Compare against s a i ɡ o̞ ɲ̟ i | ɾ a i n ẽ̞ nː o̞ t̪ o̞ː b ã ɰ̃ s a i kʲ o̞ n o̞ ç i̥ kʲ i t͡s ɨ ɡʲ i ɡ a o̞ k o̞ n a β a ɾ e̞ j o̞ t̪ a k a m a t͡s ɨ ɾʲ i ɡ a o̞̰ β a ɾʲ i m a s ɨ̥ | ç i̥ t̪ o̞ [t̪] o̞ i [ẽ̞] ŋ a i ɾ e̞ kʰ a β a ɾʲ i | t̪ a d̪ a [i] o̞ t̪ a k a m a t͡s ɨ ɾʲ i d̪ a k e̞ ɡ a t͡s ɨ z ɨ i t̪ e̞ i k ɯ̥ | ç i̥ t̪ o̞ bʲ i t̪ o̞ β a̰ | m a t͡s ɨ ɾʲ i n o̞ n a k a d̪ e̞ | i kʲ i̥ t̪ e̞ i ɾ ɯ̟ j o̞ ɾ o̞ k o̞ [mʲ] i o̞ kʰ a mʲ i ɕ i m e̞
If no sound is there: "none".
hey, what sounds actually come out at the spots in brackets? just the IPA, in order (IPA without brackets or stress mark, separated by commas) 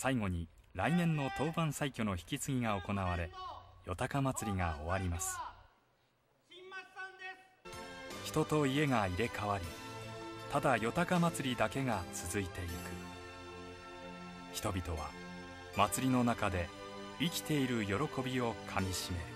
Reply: t̪, e̞, j, bʲ